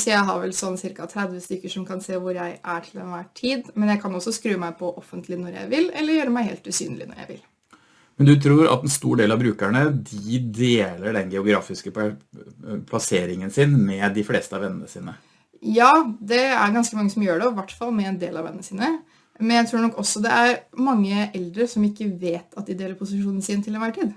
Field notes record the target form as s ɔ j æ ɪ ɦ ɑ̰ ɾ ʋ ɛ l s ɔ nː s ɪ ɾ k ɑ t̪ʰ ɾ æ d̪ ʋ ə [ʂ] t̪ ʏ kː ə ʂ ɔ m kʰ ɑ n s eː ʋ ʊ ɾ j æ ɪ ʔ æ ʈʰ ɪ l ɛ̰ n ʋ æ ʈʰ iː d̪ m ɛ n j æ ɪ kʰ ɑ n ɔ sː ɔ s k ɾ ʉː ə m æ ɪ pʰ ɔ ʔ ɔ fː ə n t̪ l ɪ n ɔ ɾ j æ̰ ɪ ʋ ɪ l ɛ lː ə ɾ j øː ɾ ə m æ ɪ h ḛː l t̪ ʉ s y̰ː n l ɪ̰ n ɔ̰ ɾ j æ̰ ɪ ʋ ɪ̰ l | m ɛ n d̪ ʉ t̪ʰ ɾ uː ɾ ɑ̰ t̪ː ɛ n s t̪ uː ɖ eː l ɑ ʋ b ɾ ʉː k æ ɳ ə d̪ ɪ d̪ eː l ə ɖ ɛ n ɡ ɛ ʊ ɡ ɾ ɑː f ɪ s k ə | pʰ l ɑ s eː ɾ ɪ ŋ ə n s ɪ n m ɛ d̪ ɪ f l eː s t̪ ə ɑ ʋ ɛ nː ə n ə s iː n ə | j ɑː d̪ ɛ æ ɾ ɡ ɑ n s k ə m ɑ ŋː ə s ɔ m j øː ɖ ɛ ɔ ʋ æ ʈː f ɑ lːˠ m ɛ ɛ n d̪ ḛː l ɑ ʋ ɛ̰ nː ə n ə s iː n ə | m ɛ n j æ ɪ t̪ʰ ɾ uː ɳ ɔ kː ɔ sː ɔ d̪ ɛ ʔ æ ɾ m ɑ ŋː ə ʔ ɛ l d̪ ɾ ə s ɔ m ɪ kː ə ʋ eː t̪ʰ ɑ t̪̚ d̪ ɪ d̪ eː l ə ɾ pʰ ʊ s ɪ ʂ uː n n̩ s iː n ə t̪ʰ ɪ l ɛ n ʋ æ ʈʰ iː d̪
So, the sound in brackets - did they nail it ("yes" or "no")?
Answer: no